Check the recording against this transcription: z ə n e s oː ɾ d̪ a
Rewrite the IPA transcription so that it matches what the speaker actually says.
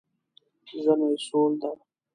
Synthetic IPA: z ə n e s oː l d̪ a